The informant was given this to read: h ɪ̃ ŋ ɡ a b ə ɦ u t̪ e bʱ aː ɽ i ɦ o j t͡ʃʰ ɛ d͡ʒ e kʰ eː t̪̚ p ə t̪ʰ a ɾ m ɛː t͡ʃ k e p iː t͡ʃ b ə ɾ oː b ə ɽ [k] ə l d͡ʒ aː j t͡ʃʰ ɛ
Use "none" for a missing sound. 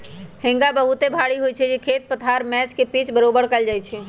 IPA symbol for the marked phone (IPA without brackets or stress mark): k